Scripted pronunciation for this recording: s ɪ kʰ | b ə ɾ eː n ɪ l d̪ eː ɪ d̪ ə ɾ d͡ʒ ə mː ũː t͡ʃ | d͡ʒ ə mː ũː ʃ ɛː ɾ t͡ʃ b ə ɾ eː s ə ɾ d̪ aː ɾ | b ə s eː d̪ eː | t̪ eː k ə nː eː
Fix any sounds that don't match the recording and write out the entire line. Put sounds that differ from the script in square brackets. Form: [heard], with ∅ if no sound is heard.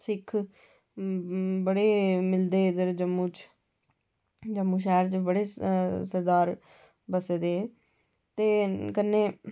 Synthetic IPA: s ɪ kʰ | b ə [ɽ] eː [m] ɪ l d̪ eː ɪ d̪ ə ɾ d͡ʒ ə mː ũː t͡ʃ | d͡ʒ ə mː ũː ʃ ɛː ɾ t͡ʃ b ə [ɽ] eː s ə ɾ d̪ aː ɾ | b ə s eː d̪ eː | t̪ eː k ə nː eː